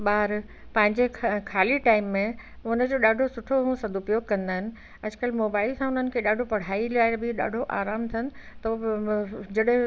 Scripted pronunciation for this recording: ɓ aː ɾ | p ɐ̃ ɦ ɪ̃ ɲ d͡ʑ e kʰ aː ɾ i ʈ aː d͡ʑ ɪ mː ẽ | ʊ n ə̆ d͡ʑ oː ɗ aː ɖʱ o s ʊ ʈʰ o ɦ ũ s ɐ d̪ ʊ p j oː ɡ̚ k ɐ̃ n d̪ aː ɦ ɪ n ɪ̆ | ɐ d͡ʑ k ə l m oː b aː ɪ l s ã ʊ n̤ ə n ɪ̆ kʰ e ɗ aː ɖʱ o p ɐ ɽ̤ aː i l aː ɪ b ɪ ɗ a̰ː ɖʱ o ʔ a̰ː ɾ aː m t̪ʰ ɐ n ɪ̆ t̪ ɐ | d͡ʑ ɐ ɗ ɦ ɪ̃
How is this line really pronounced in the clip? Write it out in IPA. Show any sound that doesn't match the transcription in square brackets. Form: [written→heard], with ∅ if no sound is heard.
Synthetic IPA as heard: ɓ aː ɾ | p ɐ̃ ɦ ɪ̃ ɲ d͡ʑ e kʰ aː [ɾ→l] i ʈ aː [d͡ʑ→∅] ɪ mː ẽ | ʊ n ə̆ d͡ʑ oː ɗ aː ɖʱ o s ʊ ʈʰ o ɦ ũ s ɐ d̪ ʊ p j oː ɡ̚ k ɐ̃ n d̪ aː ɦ ɪ n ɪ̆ | ɐ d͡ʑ k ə l m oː b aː ɪ l s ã ʊ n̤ ə n ɪ̆ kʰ e ɗ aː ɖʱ o p ɐ ɽ̤ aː i l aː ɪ b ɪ ɗ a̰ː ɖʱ o ʔ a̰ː ɾ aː m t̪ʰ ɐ n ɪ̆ t̪ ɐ | d͡ʑ ɐ ɗ ɦ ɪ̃